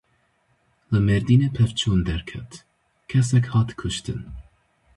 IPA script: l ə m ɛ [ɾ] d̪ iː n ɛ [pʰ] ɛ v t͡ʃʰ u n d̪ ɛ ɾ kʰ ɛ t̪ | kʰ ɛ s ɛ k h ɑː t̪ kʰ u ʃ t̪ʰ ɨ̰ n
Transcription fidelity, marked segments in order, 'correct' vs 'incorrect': correct, correct

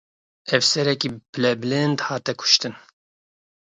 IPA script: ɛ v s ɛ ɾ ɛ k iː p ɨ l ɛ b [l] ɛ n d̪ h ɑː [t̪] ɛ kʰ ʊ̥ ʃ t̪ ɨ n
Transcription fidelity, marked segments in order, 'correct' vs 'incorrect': correct, correct

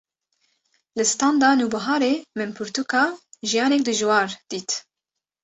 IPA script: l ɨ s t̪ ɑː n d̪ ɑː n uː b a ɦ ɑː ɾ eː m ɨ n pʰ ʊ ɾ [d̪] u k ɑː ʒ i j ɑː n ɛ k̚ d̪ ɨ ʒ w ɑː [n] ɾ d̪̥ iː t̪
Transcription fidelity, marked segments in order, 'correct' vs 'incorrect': incorrect: t̪, incorrect: none

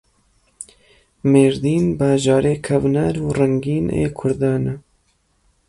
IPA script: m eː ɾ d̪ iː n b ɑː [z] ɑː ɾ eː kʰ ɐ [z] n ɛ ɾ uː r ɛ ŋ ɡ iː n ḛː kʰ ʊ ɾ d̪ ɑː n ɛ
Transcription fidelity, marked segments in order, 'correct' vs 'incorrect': incorrect: ʒ, incorrect: v

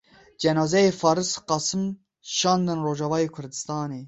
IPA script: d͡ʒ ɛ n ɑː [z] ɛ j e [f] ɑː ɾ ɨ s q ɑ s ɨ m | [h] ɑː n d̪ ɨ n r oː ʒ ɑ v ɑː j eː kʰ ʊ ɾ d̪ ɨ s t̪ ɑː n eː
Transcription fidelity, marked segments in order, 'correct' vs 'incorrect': correct, correct, incorrect: ʃ

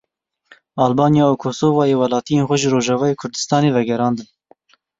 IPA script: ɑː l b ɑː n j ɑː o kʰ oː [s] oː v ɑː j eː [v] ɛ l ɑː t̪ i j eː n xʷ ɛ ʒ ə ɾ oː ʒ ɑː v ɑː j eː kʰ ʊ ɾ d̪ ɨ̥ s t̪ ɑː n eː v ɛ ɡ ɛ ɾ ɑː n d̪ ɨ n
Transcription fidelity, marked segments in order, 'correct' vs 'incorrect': correct, incorrect: w

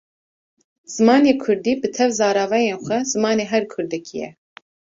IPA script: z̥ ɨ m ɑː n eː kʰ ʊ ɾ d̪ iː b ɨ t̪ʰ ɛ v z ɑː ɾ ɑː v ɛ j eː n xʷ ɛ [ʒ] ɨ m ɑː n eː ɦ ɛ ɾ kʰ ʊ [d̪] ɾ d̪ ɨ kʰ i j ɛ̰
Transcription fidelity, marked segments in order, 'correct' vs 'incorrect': incorrect: z, incorrect: none

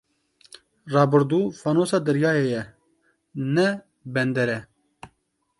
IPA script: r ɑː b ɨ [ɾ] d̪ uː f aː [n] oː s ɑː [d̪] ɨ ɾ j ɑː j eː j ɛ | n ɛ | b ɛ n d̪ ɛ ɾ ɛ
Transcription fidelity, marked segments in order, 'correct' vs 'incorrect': correct, correct, correct

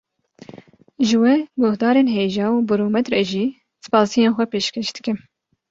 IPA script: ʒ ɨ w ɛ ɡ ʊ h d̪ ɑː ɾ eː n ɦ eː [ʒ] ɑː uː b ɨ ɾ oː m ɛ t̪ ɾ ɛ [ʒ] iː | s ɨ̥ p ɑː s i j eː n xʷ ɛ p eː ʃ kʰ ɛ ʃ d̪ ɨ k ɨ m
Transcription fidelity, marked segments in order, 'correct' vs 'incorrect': correct, correct

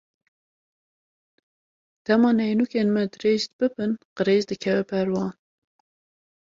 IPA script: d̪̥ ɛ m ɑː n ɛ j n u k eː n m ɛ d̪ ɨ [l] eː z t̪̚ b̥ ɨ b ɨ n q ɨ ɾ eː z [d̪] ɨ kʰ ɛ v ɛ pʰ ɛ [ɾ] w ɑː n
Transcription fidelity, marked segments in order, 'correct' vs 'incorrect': incorrect: ɾ, correct, correct

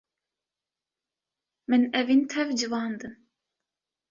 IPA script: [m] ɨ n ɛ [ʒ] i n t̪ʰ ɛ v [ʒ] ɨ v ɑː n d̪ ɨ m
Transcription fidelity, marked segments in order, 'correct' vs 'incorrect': correct, incorrect: v, incorrect: d͡ʒ

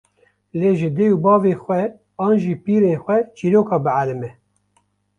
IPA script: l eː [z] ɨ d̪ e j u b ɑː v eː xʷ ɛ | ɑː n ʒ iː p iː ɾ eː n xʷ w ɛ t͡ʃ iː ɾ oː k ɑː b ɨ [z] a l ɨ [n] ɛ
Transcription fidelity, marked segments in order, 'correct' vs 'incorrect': incorrect: ʒ, incorrect: ʕ, incorrect: m

